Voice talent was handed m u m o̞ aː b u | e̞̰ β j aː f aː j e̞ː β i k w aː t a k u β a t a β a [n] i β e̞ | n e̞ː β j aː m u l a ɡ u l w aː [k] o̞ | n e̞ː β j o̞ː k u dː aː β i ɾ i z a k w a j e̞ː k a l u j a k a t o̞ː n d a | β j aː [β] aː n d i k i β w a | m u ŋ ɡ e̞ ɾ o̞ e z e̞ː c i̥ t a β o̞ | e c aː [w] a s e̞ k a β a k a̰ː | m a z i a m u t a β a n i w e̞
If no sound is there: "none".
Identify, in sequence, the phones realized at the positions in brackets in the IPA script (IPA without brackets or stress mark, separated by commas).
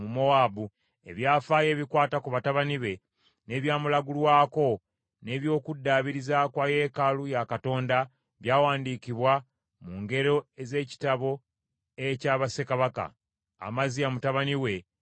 n, k, w, β